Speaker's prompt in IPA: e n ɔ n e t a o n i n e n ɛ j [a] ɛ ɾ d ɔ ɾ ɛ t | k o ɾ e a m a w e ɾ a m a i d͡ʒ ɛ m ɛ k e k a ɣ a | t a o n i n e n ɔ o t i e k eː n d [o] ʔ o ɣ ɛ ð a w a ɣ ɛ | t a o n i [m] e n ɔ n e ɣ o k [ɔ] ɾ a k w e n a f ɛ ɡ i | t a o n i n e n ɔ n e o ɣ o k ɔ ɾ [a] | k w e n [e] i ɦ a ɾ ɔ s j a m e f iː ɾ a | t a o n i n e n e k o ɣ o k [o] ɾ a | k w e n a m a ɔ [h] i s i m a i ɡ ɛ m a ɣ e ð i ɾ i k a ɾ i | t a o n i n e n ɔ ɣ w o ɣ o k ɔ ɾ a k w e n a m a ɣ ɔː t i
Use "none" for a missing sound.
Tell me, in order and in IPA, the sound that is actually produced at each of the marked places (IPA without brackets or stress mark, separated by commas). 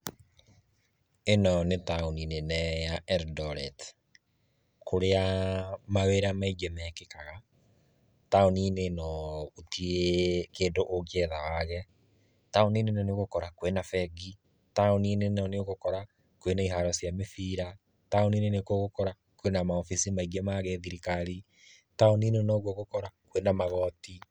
a, o, n, ɔ, a, a, ɔ, f